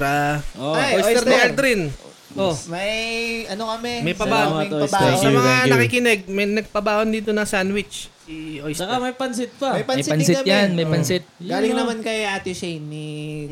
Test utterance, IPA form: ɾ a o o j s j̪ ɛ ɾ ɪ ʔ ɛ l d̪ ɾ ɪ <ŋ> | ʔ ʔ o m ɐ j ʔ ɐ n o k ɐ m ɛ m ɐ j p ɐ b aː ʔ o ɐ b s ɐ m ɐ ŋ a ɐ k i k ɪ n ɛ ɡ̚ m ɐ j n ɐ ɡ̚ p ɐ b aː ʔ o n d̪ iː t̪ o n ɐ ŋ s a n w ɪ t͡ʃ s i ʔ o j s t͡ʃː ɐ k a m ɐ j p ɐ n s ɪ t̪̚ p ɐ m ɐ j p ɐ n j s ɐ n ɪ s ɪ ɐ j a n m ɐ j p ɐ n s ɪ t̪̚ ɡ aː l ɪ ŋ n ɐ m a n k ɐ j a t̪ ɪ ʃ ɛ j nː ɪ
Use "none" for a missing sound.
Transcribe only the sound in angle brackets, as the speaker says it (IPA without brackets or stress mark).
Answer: n